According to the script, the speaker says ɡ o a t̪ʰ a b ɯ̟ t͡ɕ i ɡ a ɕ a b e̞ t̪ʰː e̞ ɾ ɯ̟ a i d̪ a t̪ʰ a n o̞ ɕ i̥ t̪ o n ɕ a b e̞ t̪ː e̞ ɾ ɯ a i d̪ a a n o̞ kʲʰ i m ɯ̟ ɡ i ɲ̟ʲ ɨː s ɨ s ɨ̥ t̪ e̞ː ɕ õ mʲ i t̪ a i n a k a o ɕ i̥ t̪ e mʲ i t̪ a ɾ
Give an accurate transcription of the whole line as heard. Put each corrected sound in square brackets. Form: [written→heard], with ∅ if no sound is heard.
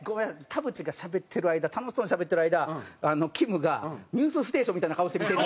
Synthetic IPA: ɡ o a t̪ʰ a b ɯ̟ t͡ɕ i ɡ a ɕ a b e̞ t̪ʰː e̞ ɾ ɯ̟ a i d̪ a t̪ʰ a n o̞ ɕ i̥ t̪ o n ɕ a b e̞ t̪ː e̞ ɾ ɯ a i d̪ a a n o̞ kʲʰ i m ɯ̟ ɡ [i→a] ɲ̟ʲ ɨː s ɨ s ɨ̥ t̪ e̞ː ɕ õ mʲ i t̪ a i n a k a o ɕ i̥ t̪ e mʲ i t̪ [a→e] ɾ